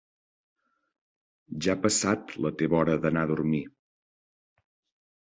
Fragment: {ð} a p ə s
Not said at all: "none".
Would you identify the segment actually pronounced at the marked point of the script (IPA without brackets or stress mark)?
ʒ